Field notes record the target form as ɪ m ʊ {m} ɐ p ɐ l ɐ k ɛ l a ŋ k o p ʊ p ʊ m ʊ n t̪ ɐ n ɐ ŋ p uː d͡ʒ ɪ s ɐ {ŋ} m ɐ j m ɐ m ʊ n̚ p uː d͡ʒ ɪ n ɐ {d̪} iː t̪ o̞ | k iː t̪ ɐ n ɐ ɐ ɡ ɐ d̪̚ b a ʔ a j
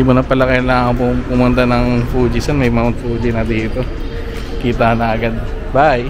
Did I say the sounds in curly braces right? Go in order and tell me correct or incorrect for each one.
incorrect: n, incorrect: n, correct

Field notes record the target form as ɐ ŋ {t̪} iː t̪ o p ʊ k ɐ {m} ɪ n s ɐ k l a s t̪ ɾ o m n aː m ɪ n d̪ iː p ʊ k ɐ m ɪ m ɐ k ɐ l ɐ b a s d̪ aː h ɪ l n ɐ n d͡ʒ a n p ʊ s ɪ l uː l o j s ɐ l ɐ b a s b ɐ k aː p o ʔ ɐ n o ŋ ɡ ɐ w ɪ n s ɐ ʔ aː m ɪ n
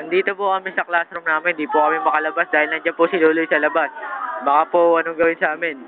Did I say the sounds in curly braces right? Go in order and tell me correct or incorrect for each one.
incorrect: d̪, correct

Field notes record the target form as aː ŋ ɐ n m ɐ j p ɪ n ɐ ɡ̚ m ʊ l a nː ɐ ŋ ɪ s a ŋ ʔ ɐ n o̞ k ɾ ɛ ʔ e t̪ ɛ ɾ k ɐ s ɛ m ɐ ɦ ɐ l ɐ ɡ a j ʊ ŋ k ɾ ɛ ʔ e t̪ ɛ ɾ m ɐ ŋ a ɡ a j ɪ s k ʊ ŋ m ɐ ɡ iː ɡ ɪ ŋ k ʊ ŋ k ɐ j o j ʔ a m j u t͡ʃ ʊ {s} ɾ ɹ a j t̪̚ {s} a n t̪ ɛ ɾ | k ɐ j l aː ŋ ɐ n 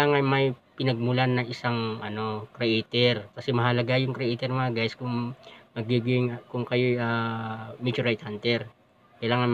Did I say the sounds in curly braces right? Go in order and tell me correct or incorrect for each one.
incorrect: none, incorrect: h

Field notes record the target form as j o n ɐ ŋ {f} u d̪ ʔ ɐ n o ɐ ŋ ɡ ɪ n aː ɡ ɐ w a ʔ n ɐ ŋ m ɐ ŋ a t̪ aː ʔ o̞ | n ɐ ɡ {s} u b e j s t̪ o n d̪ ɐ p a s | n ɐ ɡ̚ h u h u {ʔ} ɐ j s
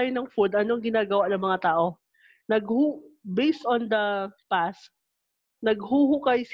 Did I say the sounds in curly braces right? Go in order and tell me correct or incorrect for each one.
correct, incorrect: h, incorrect: k

